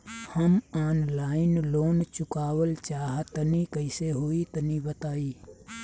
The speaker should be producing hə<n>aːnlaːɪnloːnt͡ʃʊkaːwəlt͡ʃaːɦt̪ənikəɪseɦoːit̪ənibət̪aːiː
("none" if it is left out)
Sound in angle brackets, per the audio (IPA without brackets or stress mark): m